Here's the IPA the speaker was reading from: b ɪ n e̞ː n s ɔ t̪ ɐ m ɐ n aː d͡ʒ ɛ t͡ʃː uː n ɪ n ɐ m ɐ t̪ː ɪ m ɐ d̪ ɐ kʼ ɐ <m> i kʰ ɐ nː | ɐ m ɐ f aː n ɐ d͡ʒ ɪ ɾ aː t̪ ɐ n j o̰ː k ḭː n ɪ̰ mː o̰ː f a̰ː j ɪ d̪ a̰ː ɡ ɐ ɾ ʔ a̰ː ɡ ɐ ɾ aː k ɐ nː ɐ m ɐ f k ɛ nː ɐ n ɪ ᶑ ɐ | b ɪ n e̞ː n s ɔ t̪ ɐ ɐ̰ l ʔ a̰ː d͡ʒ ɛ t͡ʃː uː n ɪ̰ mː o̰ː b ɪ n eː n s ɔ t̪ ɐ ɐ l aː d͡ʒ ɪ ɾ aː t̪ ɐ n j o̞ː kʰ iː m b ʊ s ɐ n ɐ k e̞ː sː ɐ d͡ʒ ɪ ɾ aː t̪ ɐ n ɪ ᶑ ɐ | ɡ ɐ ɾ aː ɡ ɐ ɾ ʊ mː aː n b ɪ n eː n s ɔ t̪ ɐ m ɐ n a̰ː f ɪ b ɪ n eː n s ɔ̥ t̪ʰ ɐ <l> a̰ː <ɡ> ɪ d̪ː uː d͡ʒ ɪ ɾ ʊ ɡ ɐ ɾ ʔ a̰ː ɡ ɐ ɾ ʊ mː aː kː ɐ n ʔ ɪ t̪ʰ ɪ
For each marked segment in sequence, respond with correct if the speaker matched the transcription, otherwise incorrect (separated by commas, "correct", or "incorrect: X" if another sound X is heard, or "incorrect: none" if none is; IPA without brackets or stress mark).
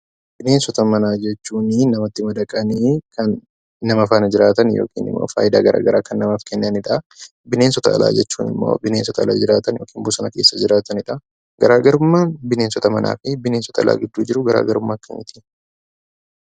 incorrect: n, correct, correct